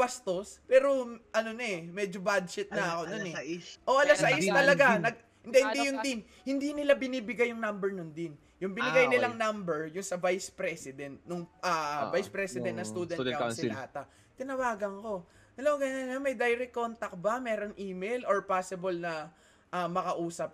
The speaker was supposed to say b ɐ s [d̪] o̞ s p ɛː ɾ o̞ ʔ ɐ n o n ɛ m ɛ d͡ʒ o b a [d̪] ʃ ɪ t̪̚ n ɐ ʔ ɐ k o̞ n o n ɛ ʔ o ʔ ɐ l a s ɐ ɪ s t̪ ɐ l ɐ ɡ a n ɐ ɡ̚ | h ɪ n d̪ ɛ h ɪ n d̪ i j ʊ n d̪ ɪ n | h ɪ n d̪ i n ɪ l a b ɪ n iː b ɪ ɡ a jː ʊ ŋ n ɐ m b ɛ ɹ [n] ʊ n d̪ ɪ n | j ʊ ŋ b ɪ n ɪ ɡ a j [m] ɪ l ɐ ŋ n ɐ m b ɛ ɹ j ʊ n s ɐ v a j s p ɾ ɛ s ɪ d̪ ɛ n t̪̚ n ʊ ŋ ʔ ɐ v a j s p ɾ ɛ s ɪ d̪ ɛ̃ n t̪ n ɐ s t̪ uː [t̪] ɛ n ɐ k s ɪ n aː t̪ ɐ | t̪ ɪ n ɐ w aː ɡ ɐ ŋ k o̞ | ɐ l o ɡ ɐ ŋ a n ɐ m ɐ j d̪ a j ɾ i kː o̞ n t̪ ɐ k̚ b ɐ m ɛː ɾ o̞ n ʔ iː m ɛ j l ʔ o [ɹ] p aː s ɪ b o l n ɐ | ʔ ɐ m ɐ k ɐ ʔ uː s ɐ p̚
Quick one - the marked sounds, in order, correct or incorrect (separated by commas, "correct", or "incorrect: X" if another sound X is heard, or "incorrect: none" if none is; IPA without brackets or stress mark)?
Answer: incorrect: t̪, correct, correct, incorrect: n, incorrect: d̪, correct